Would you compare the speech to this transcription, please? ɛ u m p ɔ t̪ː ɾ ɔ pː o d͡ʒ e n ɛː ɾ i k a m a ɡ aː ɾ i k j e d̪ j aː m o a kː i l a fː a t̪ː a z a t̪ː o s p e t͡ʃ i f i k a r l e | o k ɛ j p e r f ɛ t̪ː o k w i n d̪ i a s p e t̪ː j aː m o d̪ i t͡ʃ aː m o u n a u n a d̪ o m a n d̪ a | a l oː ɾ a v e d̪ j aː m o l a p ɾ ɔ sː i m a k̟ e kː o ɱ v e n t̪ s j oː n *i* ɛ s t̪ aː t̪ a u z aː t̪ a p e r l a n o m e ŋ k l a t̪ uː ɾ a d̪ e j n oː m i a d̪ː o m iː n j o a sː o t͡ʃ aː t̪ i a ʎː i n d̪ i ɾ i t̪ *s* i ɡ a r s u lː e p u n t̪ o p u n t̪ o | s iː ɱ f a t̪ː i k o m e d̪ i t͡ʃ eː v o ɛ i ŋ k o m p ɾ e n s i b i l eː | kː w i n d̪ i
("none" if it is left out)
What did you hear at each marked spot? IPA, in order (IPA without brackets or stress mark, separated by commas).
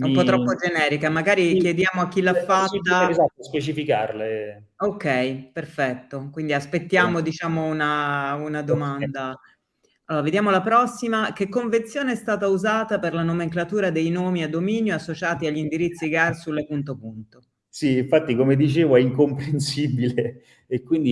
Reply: e, sː